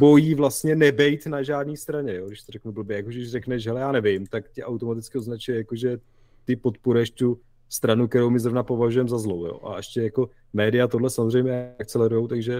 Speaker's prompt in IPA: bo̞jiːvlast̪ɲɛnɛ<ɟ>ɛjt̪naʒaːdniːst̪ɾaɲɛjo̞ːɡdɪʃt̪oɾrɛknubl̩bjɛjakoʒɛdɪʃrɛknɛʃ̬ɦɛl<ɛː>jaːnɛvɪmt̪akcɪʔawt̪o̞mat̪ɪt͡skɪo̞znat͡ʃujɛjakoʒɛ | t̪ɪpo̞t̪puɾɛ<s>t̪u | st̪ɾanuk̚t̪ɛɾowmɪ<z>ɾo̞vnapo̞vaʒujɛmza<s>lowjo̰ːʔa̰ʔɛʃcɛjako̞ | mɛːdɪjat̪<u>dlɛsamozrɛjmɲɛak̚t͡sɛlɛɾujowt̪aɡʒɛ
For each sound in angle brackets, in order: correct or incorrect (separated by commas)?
incorrect, incorrect, incorrect, correct, incorrect, incorrect